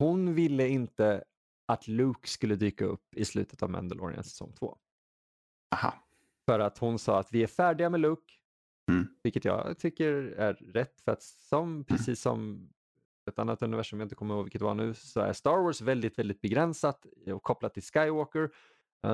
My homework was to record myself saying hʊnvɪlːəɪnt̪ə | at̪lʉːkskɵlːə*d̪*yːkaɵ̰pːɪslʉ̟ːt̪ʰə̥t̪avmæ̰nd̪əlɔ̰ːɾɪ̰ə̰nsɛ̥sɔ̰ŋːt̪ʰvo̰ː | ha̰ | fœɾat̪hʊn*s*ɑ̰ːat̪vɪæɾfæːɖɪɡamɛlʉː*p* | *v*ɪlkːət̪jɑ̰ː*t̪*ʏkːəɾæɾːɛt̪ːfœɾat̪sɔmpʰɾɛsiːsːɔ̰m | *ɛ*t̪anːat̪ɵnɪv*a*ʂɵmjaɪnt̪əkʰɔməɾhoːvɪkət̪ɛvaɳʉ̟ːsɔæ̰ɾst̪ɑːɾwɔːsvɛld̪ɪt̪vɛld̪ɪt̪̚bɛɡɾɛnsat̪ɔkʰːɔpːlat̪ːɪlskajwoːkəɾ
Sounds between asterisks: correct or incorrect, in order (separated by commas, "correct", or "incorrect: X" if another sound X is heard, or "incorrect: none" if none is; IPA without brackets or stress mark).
correct, correct, incorrect: k, correct, incorrect: t̪ʰ, correct, incorrect: æ